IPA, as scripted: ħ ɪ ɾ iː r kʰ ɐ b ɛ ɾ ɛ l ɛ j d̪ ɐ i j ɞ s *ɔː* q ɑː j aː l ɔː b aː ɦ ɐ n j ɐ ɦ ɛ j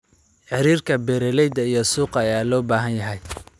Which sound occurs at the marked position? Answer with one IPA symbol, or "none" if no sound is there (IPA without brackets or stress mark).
uː